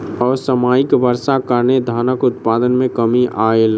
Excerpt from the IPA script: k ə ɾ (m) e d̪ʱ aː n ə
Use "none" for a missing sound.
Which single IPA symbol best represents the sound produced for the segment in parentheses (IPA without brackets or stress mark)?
n